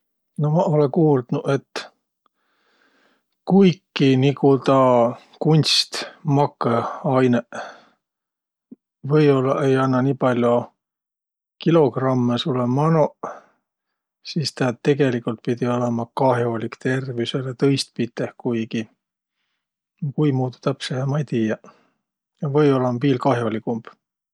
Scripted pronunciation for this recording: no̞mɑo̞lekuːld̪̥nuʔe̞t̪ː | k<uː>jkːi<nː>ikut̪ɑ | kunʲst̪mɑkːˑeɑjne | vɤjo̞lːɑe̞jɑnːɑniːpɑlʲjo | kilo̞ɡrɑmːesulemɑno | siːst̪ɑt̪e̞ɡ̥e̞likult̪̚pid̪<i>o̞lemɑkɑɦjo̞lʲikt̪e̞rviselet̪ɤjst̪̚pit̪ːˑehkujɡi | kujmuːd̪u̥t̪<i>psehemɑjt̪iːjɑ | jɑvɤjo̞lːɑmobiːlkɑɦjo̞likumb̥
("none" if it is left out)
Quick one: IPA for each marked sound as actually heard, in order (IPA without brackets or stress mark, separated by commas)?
u, n, i, æ